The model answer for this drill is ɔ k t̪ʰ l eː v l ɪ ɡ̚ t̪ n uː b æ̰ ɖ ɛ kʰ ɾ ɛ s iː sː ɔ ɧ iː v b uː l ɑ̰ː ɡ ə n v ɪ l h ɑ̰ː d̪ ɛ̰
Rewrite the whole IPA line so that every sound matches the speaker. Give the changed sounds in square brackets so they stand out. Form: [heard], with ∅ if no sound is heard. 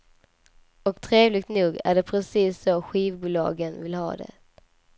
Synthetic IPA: ɔ k t̪ʰ [ɾ] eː v l ɪ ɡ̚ t̪ n uː [ɡ] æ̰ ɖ ɛ [pʰ] ɾ ɛ s iː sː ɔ ɧ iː v b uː l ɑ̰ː ɡ ə n v ɪ l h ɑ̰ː d̪ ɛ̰